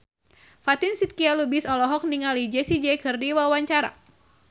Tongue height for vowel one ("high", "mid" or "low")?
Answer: low